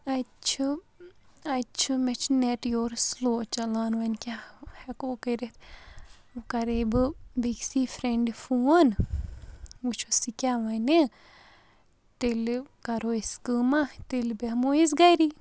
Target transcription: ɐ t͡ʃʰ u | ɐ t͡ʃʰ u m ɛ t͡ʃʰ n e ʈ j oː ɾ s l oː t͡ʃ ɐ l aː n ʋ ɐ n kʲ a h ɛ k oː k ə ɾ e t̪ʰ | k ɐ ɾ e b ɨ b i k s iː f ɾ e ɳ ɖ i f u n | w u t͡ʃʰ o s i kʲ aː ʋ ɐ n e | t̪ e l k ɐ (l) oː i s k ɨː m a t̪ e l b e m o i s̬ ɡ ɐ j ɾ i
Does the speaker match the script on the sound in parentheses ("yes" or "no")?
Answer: no